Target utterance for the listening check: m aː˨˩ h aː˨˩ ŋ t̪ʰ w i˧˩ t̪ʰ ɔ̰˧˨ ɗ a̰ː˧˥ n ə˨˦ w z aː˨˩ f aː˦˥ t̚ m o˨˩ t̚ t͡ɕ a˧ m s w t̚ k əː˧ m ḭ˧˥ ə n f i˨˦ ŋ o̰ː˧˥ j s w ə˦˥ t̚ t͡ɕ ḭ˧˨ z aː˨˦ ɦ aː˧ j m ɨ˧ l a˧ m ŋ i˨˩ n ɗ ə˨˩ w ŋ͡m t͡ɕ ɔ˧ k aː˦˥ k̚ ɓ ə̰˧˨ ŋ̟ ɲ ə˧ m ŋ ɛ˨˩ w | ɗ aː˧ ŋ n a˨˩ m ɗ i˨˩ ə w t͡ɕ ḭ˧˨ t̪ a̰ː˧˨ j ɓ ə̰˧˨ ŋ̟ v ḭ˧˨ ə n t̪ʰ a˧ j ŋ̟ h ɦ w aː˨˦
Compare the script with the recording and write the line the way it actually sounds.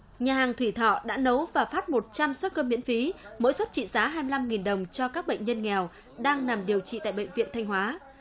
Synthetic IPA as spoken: ɲ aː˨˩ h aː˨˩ ŋ t̪ʰ w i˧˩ t̪ʰ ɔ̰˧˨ ɗ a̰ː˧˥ n ə˨˦ w v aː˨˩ f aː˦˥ t̚ m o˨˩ t̚ t͡ɕ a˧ m s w t̚ k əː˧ m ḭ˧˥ ə n f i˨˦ m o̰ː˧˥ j s w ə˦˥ t̚ t͡ɕ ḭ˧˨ z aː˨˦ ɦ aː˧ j m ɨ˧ l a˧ m ŋ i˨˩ n ɗ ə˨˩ w ŋ͡m t͡ɕ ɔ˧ k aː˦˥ k̚ ɓ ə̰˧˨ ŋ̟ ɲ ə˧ n ŋ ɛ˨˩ w | ɗ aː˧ ŋ n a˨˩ m ɗ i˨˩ ə w t͡ɕ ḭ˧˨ t̪ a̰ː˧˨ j ɓ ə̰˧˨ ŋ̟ v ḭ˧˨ ə n t̪ʰ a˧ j ŋ̟ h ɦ w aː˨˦

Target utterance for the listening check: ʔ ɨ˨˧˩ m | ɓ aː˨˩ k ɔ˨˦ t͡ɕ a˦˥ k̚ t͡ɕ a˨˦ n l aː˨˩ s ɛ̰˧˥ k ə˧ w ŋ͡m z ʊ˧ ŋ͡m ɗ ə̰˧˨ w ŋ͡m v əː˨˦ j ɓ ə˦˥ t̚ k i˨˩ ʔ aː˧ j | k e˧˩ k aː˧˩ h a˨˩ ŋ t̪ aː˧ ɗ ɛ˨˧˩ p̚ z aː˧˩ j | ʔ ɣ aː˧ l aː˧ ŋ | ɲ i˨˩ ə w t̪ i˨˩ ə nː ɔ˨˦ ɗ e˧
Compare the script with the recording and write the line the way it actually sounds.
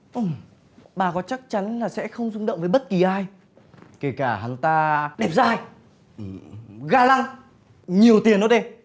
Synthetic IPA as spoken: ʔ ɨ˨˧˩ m | ɓ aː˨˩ k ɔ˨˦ t͡ɕ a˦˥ k̚ t͡ɕ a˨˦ n l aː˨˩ s ɛ̰˧˥ x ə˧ w ŋ͡m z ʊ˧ ŋ͡m ɗ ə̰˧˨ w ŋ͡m v əː˨˦ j ɓ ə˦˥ t̚ k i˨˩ ʔ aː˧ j | k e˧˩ k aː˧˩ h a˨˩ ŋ t̪ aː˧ ɗ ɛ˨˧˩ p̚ z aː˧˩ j | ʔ ɣ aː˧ l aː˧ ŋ | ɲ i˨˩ ə w t̪ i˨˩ ə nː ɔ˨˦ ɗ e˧

